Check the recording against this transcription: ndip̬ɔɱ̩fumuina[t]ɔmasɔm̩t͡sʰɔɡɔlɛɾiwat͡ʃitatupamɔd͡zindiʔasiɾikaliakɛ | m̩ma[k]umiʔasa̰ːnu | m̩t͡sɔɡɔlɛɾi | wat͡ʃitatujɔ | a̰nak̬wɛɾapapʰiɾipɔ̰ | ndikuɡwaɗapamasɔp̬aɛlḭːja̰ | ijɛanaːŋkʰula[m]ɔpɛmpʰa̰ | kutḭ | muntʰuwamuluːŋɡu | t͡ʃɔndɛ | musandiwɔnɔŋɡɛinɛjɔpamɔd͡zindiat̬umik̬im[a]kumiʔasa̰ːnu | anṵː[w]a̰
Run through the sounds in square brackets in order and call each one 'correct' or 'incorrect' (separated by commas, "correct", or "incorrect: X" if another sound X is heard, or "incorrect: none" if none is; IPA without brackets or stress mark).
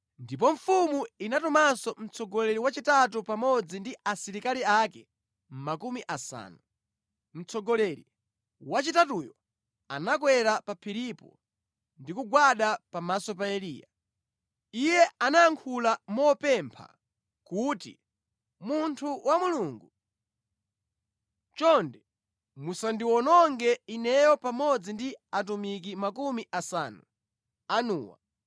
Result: correct, correct, correct, correct, correct